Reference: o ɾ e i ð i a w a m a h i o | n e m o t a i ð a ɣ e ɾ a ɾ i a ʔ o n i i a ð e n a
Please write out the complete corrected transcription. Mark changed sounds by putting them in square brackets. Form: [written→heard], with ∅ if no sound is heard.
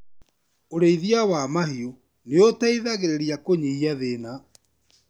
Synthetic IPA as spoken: o ɾ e i ð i a w a m a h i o | n e [m→∅] o t a i ð a ɣ e ɾ [a→e] ɾ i a [ʔ→k] o [n→ɲ] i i a ð e n a